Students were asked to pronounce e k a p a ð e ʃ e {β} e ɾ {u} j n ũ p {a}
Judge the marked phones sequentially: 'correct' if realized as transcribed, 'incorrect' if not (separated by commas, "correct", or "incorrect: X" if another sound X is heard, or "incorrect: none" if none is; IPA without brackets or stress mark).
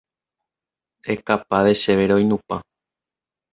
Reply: correct, incorrect: o, correct